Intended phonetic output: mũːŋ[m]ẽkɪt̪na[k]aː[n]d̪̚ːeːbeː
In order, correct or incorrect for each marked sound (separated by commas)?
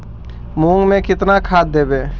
correct, incorrect, incorrect